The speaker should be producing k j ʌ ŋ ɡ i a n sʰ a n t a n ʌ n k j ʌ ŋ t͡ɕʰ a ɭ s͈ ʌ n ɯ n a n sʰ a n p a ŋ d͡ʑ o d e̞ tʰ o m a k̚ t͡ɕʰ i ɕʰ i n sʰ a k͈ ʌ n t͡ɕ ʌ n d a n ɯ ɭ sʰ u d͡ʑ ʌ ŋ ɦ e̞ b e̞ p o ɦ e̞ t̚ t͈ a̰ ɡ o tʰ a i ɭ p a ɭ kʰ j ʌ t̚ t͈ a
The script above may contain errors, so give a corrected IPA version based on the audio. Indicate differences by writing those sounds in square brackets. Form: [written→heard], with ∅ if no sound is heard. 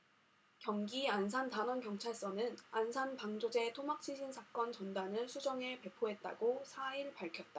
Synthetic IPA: k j ʌ ŋ ɡ i a n sʰ a n t a n ʌ n k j ʌ ŋ t͡ɕʰ a ɭ s͈ ʌ n ɯ n a n sʰ a n p a ŋ d͡ʑ o [d→d͡ʑ] e̞ tʰ o m a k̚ t͡ɕʰ i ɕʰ i n sʰ a k͈ ʌ n t͡ɕ ʌ n d a n ɯ ɭ sʰ u d͡ʑ ʌ ŋ ɦ e̞ [b→p] e̞ [p→pʰ] o ɦ e̞ t̚ t͈ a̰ ɡ o [tʰ→sʰ] a i ɭ p a ɭ kʰ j ʌ t̚ t͈ a